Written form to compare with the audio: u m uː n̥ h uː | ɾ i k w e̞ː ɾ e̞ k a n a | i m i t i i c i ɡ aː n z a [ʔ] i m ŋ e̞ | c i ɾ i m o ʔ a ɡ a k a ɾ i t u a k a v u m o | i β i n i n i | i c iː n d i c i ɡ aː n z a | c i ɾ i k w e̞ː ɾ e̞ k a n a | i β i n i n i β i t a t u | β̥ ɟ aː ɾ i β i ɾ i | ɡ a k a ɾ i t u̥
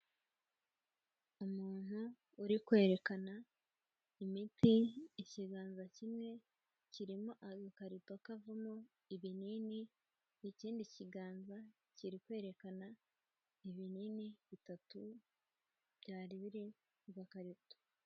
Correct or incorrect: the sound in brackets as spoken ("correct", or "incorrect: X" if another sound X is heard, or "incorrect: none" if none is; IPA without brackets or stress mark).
incorrect: c